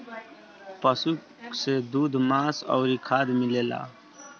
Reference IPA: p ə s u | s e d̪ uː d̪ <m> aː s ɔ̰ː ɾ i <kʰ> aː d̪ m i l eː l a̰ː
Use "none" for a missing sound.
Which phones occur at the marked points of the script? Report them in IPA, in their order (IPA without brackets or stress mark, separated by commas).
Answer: m, kʰ